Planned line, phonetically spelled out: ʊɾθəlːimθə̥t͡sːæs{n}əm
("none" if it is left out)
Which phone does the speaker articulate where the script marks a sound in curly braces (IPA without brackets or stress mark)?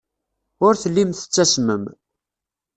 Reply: m